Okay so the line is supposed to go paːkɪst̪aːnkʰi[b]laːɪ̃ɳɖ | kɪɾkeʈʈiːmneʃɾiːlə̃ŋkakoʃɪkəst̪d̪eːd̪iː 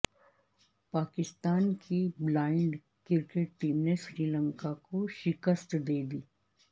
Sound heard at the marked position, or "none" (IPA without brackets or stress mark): b